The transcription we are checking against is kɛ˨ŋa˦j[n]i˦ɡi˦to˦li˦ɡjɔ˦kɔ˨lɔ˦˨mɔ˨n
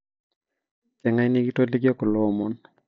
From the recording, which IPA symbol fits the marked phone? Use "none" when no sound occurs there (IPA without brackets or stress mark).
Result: n